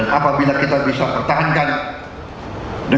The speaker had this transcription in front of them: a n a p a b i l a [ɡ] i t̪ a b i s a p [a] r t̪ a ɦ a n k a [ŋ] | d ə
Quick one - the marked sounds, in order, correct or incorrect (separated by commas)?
incorrect, incorrect, incorrect